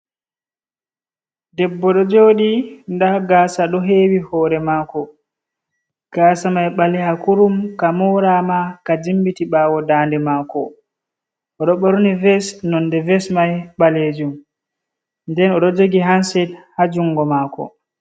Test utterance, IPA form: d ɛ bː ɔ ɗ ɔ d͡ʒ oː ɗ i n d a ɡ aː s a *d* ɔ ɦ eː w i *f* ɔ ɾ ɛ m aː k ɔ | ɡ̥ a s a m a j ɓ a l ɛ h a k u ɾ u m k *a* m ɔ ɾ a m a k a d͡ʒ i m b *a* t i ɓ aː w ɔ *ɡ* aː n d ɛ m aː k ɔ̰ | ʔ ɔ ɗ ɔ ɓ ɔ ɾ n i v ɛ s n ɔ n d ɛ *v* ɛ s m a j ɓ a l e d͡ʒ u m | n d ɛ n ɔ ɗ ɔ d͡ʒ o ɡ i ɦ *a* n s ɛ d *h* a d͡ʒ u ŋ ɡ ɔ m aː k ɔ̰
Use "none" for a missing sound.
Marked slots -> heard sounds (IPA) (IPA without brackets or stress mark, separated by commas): ɗ, h, a, i, d, v, a, h